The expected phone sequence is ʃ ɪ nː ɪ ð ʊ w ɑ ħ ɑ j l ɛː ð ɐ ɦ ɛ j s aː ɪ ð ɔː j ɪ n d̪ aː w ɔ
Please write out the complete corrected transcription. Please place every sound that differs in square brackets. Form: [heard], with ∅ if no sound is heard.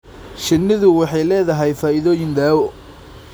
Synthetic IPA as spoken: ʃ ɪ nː ɪ ð ʊ w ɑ ħ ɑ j l ɛː ð ɐ ɦ ɛ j [f] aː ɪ ð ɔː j ɪ n d̪ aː w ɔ